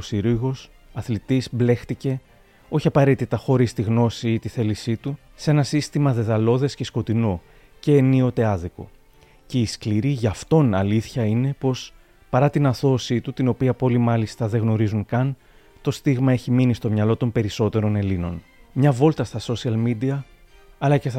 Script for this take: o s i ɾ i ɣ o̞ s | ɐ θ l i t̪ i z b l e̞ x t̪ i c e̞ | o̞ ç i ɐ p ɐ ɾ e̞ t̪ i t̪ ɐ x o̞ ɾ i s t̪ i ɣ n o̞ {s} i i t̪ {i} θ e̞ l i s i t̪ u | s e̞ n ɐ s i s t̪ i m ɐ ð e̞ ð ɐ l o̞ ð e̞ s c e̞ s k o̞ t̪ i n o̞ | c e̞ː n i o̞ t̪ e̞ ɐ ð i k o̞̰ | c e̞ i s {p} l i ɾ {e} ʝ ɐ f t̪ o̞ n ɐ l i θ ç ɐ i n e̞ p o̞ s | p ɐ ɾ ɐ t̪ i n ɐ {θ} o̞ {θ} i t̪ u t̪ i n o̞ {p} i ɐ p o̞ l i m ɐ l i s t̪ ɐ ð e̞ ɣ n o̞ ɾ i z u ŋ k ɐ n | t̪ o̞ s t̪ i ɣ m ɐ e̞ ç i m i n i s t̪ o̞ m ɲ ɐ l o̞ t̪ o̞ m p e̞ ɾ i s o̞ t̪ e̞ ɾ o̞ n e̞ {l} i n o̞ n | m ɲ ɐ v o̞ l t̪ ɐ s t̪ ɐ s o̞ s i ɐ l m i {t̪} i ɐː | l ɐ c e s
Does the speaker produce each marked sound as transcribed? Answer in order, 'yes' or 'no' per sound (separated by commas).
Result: yes, yes, no, no, yes, no, yes, yes, no